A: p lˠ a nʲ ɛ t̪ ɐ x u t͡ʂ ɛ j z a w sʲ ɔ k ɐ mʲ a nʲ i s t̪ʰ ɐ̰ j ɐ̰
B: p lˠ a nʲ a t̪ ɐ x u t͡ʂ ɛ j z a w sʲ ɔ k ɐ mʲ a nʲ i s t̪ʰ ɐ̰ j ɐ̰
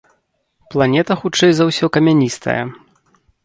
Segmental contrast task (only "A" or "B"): A